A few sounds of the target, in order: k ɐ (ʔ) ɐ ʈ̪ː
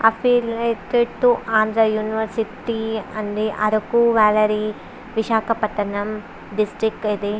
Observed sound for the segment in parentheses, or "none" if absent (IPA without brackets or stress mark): p